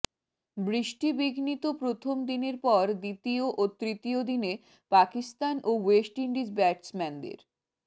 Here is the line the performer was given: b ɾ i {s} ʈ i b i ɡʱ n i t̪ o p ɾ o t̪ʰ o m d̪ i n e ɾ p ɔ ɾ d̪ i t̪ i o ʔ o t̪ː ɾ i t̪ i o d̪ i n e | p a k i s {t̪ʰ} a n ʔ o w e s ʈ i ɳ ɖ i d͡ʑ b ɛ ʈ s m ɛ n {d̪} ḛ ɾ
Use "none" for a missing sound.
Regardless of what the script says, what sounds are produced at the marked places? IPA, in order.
ʃ, t̪, d̪

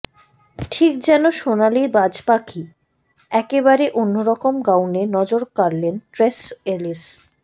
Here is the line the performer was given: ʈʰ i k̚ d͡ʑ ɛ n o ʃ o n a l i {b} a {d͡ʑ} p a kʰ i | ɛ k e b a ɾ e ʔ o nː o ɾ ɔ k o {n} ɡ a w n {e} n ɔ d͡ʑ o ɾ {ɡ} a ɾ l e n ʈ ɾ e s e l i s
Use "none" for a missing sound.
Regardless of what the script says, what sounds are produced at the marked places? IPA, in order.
b, d͡ʑ, m, e, k

